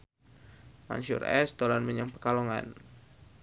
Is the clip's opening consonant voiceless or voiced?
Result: voiced